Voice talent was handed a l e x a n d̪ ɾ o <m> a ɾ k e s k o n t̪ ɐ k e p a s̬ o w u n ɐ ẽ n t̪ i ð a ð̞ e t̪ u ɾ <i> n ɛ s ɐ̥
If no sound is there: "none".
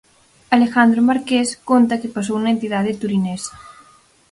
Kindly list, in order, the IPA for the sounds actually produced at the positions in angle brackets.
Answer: m, i

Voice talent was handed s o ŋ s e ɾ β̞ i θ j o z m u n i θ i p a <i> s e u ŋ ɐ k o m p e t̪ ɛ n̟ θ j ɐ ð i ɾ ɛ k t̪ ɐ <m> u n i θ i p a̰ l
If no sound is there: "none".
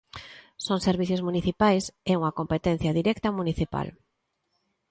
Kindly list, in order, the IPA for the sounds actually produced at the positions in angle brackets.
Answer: j, m

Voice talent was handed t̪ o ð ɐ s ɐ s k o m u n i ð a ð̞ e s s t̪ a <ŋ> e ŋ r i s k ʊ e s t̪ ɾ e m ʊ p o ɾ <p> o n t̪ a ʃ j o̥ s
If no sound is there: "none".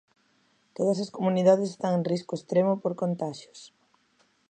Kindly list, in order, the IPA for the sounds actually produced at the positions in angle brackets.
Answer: ŋ, k

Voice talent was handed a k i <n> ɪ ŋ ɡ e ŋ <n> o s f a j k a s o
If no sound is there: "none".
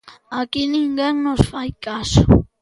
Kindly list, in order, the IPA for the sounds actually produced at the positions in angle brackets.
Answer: n, n

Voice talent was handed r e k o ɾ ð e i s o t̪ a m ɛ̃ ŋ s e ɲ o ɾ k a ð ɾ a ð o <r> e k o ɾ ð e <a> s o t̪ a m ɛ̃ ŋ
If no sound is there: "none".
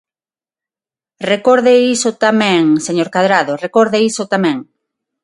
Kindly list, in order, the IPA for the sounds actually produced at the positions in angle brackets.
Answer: r, i

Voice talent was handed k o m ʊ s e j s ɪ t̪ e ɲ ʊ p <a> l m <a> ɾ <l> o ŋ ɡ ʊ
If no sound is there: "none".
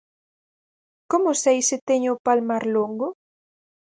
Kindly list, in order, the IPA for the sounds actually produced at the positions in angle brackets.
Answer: a, a, l

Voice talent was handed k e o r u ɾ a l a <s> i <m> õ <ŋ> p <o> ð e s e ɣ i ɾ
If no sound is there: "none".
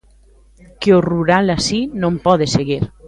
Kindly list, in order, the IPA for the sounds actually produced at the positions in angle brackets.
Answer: s, n, m, ɔ

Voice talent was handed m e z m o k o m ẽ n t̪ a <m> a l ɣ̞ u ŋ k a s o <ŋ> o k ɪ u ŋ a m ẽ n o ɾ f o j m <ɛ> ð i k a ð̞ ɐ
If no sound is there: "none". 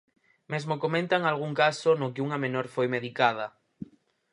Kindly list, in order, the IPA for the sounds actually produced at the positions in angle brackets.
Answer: ŋ, n, e

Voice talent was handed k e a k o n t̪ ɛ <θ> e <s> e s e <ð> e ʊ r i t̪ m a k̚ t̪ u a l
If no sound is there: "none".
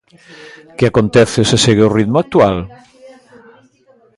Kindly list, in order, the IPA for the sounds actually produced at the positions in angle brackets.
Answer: θ, s, ɣ

